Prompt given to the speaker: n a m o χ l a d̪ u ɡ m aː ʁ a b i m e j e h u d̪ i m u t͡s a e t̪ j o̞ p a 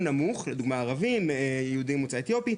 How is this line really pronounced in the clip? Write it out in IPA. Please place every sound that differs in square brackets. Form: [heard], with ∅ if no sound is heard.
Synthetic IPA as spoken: n a m [u] χ l [e] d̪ u ɡ m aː ʁ a [v] i m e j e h u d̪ i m u t͡s a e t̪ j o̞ p [i]